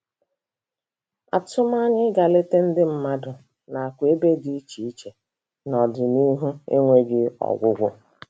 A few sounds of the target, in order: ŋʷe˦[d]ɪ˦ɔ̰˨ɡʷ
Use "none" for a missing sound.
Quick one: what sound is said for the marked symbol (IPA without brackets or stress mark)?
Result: ɡ